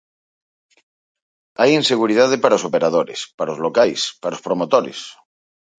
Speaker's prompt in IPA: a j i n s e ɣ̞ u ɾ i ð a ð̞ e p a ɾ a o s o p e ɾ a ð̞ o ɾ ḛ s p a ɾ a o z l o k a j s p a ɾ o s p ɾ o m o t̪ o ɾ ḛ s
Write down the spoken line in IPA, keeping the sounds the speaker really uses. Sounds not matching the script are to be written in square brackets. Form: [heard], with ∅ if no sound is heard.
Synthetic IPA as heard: a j i n s e ɣ̞ u ɾ i ð a ð̞ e p a ɾ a o s o p e ɾ a ð̞ o ɾ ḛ s p a ɾ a o z l o k a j s p a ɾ o s p ɾ o m o t̪ o ɾ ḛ s